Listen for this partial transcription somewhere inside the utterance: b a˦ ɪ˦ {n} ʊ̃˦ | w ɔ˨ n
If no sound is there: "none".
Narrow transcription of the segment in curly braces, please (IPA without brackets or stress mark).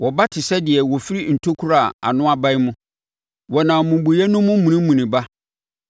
m